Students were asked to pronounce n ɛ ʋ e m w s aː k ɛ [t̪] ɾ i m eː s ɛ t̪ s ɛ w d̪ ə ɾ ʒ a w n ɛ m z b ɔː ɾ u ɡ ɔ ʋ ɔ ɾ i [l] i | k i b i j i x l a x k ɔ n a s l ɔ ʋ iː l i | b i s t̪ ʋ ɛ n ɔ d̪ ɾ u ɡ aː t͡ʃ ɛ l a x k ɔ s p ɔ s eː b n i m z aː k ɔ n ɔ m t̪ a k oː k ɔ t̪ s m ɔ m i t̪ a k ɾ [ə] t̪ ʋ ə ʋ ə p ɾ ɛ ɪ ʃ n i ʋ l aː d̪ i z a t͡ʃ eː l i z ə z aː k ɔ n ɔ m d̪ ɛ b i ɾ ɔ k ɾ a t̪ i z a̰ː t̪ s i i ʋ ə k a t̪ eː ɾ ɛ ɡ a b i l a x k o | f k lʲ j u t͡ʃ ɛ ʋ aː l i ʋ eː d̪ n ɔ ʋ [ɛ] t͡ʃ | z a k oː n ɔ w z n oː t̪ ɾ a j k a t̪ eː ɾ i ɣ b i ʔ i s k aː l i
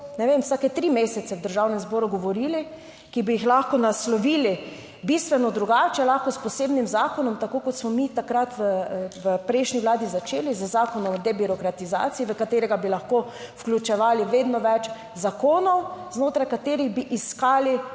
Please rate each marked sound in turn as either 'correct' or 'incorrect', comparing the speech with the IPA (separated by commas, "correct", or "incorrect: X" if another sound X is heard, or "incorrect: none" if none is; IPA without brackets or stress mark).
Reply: correct, correct, incorrect: a, correct